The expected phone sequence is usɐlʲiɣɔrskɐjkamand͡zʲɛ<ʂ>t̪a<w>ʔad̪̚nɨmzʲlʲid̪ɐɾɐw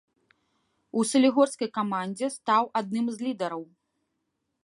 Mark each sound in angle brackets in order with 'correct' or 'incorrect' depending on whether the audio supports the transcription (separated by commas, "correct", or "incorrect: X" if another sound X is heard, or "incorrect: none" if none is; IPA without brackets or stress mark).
incorrect: s, correct